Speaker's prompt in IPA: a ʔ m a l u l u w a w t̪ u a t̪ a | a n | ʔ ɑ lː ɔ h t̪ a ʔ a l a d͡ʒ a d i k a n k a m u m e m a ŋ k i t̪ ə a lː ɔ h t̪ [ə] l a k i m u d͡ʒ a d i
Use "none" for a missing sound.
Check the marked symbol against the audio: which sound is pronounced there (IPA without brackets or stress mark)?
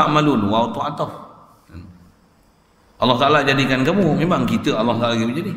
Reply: a